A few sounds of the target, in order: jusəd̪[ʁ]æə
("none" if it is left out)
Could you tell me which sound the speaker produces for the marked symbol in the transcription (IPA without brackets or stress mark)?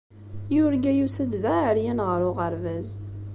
ð